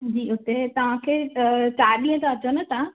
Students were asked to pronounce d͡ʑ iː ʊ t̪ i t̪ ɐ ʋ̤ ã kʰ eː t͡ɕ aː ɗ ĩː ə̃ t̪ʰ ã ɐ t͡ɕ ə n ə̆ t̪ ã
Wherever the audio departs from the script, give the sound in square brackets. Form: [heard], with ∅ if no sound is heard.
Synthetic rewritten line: d͡ʑ iː ʊ t̪ [e] t̪ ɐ ʋ̤ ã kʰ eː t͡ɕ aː ɗ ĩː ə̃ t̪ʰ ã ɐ t͡ɕ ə n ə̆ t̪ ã